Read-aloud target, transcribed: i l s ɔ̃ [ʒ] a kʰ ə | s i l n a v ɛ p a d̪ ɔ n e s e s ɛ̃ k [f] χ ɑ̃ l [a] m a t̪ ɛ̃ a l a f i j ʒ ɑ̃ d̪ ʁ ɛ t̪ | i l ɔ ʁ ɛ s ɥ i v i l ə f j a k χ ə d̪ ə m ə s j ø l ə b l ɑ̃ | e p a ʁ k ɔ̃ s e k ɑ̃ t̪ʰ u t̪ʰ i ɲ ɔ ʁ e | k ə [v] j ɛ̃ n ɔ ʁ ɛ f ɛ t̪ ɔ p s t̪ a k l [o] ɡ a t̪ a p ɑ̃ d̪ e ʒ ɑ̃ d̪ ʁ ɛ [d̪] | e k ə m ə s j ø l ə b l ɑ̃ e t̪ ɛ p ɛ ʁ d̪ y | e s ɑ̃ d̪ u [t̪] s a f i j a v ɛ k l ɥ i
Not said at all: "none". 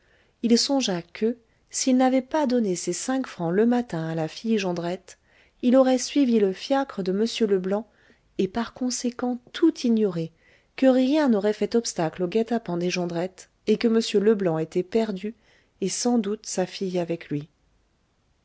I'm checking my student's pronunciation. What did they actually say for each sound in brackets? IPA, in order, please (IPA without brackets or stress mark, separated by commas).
ʒ, f, ə, ʁ, o, t̪, t̪